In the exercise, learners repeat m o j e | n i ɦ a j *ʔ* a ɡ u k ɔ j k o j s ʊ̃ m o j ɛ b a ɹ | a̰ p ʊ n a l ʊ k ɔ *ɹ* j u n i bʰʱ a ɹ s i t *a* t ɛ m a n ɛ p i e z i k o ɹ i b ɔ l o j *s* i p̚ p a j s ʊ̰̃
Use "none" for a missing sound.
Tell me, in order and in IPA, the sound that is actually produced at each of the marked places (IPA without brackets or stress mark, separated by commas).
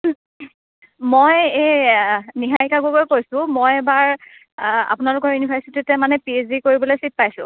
k, ɹ, i, s